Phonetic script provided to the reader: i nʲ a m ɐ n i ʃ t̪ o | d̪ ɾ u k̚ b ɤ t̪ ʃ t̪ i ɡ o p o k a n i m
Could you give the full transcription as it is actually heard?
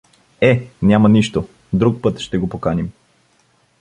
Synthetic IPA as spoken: ɛ nʲ a m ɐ n i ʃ t̪ o | d̪ ɾ u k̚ p ɤ t̪ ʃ t̪ ɛ ɡ o p o k a n i m